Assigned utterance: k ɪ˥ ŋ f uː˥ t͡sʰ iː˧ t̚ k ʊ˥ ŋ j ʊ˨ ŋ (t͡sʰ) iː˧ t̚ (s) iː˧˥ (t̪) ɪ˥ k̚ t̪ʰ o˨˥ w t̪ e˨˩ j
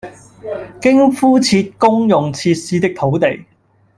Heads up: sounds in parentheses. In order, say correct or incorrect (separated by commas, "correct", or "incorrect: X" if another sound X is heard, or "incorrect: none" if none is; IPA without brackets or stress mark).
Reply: correct, correct, correct